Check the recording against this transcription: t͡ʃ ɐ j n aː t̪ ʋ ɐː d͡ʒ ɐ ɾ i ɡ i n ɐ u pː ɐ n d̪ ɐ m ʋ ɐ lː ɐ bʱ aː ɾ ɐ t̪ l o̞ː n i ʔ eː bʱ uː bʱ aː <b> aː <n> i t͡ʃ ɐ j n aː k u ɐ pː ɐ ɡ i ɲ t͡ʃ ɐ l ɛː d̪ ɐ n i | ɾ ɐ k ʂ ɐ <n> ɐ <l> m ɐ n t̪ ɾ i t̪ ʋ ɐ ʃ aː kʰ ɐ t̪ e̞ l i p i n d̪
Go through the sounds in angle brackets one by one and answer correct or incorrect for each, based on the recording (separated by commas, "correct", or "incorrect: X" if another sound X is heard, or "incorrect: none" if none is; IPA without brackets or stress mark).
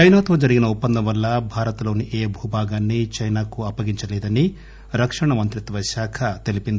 incorrect: ɡ, incorrect: nː, incorrect: ɳ, incorrect: none